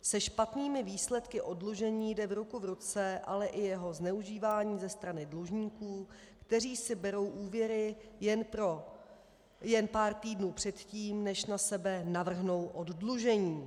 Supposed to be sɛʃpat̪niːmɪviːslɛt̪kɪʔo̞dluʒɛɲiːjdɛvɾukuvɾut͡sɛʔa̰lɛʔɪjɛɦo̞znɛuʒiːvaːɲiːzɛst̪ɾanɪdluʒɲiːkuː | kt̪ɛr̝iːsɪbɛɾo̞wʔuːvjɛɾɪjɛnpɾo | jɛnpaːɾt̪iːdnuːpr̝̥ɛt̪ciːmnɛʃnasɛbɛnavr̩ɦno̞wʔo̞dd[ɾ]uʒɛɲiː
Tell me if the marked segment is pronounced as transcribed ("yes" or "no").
no